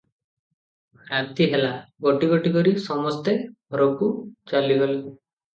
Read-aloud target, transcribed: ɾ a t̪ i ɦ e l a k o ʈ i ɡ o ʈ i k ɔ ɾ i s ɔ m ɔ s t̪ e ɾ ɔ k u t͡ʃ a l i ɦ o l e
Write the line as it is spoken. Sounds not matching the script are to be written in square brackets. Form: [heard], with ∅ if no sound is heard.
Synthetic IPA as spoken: ɾ a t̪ i ɦ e l a [ɡ] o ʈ i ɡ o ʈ i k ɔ ɾ i s ɔ m ɔ s t̪ e ɾ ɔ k u t͡ʃ a l i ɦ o l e